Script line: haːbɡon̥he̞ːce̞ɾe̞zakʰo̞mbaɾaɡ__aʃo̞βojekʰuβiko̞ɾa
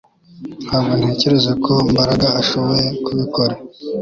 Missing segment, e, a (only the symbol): a